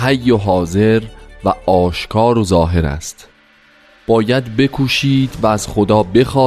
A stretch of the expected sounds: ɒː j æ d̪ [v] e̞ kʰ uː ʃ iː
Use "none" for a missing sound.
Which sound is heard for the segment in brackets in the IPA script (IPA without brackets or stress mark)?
b